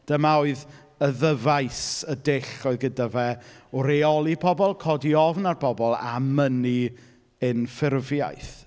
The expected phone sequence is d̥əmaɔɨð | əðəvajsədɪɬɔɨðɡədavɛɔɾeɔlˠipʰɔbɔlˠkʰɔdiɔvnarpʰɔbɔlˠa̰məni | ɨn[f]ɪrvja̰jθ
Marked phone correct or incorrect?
correct